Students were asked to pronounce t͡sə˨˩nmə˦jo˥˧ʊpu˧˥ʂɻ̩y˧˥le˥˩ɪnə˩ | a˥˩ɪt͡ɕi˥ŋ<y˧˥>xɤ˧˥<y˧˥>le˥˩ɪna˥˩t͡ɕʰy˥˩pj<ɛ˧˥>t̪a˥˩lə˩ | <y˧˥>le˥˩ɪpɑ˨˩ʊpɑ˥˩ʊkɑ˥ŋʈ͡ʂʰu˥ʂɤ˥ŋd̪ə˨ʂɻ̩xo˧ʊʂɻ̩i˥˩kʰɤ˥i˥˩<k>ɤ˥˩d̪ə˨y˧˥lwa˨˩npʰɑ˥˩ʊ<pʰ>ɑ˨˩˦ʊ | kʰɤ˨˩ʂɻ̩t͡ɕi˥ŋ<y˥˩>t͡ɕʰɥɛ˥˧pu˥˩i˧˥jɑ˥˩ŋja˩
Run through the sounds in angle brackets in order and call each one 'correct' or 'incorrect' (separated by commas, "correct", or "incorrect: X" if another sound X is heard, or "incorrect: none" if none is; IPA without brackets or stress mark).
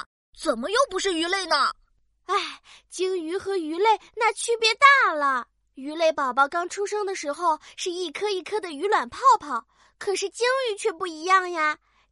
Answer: correct, correct, correct, correct, incorrect: kʰ, correct, incorrect: y˧˥